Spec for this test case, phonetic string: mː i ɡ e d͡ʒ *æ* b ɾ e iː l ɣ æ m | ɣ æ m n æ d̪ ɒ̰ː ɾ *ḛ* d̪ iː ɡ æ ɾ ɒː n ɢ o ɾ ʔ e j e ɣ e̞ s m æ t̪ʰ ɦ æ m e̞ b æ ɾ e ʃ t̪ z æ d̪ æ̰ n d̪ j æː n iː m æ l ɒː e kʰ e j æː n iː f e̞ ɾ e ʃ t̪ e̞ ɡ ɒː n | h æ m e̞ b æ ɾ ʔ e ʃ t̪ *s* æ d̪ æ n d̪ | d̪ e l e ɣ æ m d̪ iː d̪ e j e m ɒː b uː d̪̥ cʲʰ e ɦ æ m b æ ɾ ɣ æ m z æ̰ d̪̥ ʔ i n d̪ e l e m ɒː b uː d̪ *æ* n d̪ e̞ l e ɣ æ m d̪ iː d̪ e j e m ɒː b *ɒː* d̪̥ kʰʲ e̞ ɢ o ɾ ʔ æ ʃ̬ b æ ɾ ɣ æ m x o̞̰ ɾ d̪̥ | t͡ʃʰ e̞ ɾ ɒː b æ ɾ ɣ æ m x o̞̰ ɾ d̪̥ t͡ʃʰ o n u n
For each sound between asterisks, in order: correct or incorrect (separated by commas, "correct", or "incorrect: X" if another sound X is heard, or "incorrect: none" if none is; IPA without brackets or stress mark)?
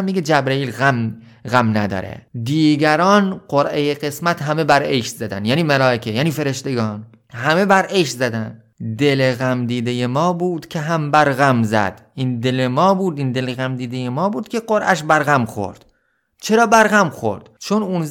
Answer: correct, correct, incorrect: z, incorrect: i, incorrect: uː